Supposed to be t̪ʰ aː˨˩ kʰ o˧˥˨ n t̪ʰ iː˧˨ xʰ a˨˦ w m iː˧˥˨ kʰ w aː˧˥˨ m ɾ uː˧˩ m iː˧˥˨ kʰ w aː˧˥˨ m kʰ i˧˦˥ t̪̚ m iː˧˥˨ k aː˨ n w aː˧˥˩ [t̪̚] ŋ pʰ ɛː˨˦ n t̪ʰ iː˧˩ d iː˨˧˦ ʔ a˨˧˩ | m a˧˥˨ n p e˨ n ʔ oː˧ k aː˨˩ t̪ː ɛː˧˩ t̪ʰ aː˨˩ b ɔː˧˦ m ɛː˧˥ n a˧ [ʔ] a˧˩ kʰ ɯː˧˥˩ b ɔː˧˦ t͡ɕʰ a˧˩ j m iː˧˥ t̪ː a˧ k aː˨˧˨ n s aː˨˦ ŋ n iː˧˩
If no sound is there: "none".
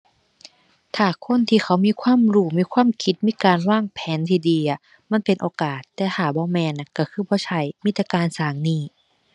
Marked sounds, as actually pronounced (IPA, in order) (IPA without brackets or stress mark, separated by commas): none, k